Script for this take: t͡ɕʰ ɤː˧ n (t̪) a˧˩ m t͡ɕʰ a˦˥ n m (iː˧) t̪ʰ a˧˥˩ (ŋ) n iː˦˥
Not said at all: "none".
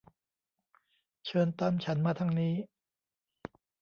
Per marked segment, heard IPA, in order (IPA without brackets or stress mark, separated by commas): t̪, aː˧, ŋ